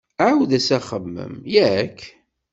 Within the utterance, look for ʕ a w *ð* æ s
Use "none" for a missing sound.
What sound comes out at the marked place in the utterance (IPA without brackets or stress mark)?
ð